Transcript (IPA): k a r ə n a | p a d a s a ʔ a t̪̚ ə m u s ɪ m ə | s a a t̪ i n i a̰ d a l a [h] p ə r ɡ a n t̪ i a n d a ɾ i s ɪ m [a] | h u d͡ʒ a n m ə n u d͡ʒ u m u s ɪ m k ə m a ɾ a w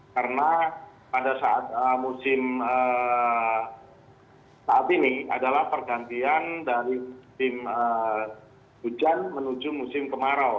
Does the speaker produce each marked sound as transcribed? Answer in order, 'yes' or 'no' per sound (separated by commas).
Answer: yes, no